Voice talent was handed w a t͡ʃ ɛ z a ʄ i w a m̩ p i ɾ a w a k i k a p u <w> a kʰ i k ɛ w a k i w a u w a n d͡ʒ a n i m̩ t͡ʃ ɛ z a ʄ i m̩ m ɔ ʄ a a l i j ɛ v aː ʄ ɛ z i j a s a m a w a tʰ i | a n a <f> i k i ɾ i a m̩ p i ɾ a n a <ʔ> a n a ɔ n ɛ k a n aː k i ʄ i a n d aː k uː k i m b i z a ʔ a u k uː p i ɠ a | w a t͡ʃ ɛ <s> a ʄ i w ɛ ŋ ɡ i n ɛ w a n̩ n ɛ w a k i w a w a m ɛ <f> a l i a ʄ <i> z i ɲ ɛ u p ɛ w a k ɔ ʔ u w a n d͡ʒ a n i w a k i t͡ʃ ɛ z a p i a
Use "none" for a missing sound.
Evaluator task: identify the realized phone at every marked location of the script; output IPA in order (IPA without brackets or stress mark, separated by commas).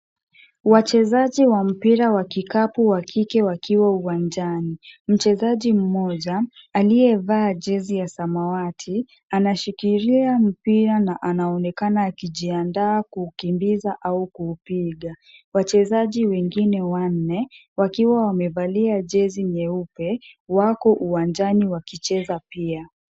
w, ʃ, ʔ, z, v, ɛ